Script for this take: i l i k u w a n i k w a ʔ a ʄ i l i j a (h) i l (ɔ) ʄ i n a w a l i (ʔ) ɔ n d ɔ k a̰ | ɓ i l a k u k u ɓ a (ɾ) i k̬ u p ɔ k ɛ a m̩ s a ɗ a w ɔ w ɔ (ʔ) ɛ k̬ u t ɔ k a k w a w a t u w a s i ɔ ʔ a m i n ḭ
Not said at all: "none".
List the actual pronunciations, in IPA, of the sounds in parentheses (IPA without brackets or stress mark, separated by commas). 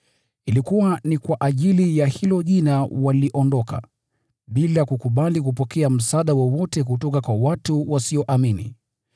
h, ɔ, ʔ, l, t